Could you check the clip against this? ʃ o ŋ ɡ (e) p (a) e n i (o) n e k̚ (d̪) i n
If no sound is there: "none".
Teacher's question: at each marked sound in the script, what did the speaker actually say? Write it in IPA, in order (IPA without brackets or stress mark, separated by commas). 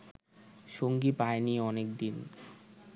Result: i, a, ɔ, d̪